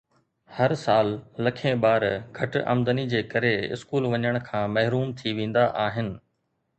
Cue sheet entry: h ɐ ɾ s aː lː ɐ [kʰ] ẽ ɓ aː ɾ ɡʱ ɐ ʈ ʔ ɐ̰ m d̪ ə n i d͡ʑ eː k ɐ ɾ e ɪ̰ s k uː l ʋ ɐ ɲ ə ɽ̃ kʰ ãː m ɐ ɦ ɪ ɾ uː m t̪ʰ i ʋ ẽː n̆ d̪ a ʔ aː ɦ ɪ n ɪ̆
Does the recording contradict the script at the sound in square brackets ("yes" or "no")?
no